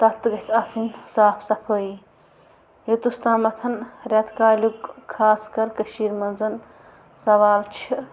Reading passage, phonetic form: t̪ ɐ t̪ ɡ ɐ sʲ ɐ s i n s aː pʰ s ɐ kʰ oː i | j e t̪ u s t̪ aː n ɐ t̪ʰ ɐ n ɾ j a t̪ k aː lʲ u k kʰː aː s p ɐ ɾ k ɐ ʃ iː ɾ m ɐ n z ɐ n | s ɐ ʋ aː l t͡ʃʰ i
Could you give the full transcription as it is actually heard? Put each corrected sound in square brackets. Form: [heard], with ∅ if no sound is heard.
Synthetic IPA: t̪ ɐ t̪ ɡ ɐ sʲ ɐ s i n s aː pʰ s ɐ [pʰ] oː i | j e t̪ u s t̪ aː [m] ɐ t̪ʰ ɐ n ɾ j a t̪ k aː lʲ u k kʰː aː s [k] ɐ ɾ k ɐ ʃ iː ɾ m ɐ n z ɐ n | s ɐ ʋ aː l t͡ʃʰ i